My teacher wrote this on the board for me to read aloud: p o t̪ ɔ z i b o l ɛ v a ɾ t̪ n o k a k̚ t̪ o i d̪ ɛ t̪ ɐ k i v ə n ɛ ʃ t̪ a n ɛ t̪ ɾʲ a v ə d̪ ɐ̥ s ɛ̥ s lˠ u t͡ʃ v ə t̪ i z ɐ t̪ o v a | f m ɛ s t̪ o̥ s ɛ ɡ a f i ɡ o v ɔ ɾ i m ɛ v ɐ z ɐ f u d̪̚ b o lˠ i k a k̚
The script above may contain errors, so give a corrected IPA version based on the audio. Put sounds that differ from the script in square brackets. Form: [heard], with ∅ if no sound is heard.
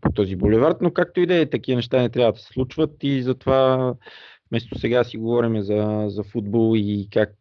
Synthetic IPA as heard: p o t̪ ɔ z i b o l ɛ v a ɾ t̪ n o k a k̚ t̪ o i d̪ ɛ t̪ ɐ k i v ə n ɛ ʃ t̪ a n ɛ t̪ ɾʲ a v ə d̪ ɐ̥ s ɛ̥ s lˠ u t͡ʃ v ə t̪ i z ɐ t̪ o v a | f m ɛ s t̪ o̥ s ɛ ɡ a [s] i ɡ o v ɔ ɾ i m ɛ [z] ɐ z ɐ f u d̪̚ b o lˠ i k a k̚